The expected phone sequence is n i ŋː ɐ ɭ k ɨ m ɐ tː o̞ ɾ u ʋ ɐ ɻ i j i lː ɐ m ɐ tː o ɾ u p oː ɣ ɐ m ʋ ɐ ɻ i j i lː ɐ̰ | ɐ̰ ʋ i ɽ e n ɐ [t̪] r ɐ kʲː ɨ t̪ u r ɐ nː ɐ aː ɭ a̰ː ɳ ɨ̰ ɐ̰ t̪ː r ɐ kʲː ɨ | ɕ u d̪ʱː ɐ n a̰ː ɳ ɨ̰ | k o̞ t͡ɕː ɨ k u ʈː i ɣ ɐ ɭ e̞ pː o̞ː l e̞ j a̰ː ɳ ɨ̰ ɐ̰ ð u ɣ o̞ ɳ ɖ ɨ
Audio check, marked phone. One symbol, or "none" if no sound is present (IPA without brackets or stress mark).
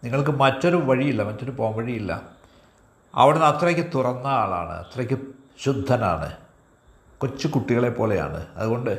t̪